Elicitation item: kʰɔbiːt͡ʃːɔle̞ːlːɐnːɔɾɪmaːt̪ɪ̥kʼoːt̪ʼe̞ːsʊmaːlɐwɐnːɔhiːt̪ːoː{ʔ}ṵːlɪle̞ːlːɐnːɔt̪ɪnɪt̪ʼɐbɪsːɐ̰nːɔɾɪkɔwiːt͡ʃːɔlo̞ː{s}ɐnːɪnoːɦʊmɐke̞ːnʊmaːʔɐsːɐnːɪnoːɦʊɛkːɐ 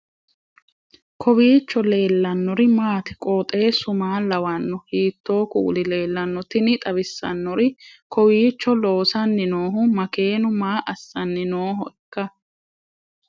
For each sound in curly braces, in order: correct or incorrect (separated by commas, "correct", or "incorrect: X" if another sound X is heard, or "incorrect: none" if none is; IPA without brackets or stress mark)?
incorrect: k, correct